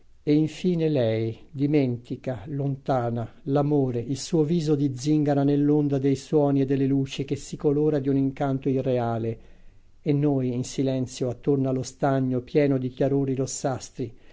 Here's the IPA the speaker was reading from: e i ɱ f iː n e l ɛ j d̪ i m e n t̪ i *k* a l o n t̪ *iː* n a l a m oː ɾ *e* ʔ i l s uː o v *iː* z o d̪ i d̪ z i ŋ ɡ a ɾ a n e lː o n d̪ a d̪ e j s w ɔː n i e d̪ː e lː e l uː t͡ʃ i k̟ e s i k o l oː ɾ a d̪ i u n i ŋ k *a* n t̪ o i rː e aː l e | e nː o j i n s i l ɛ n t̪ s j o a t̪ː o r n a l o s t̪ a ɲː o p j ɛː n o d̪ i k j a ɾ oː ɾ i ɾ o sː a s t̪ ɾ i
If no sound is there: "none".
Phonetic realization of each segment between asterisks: k, aː, e, iː, a

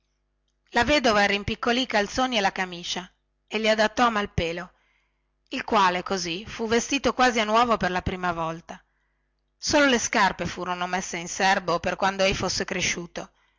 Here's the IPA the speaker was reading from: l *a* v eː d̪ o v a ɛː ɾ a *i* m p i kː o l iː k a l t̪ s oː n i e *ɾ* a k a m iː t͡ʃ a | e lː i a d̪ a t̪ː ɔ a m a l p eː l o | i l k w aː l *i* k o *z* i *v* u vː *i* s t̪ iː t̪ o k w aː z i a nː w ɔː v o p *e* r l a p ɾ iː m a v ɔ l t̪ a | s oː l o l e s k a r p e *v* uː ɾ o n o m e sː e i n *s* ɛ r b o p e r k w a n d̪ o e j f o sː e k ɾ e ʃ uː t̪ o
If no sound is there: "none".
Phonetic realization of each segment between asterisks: a, i, l, e, z, f, e, e, f, s

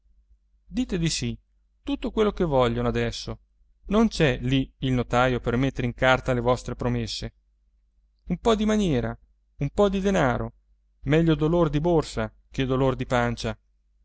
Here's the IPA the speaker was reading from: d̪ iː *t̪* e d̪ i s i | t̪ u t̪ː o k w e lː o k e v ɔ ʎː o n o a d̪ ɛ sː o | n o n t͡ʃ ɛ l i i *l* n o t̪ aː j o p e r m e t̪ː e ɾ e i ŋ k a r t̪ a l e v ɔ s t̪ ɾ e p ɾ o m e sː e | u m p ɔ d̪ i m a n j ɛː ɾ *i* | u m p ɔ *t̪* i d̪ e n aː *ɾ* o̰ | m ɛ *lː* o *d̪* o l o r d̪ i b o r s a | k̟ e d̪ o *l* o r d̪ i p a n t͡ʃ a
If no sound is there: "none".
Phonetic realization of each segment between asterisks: t̪, l, a, d̪, ɾ, ʎː, d̪, l

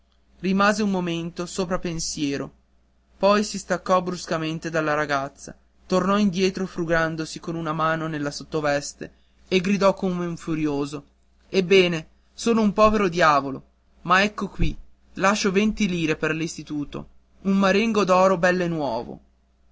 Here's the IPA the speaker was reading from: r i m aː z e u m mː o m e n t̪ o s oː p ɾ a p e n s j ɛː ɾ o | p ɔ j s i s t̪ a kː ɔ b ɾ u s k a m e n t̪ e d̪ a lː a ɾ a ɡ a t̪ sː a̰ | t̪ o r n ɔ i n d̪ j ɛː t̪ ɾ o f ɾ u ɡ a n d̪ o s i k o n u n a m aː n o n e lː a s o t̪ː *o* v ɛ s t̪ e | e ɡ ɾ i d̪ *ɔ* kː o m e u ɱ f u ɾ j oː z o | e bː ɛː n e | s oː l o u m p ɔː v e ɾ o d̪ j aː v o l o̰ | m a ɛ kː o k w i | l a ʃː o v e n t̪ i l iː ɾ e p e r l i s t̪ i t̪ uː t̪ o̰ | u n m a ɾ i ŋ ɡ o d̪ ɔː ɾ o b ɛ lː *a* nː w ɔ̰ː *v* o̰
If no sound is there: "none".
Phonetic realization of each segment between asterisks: o, ɔ, e, v

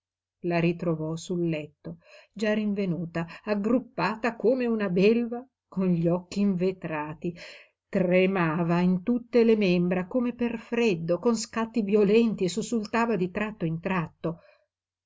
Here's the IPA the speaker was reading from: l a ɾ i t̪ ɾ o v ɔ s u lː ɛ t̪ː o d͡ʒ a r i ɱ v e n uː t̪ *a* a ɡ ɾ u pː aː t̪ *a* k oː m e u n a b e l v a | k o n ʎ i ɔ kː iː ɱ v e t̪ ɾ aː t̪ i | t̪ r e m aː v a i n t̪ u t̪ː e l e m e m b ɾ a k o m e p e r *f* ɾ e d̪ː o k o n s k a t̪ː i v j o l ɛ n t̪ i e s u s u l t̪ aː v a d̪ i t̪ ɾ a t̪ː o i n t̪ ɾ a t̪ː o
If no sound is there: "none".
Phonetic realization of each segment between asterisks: a, a, f

